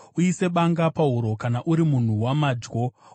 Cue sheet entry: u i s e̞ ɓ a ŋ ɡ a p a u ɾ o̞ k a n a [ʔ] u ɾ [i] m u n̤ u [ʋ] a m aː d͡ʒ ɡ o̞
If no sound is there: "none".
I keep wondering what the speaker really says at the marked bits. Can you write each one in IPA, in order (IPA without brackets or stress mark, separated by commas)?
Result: ʔ, i, w